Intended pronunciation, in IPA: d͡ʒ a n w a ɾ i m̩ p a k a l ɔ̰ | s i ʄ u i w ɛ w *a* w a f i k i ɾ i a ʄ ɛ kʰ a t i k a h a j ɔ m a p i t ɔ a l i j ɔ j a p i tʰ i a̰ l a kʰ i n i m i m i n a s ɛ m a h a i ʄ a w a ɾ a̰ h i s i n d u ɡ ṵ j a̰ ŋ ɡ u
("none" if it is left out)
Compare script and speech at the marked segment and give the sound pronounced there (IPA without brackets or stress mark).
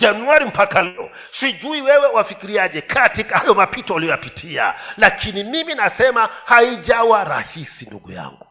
ɛ